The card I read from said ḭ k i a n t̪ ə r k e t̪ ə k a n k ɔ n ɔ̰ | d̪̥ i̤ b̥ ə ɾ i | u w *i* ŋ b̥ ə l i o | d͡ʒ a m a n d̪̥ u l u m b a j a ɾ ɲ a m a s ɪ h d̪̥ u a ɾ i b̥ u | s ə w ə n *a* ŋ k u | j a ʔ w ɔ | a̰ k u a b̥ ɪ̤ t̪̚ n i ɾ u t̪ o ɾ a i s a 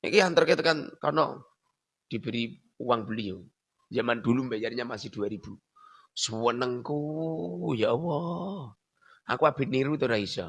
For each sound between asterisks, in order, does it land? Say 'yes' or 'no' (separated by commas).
no, no